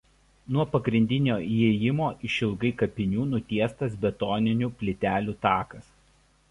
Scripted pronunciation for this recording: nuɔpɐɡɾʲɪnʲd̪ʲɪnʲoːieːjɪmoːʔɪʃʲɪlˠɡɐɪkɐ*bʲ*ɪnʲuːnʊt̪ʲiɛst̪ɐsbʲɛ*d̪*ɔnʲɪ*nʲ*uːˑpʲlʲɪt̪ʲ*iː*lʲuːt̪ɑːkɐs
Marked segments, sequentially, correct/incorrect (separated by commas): incorrect, incorrect, correct, incorrect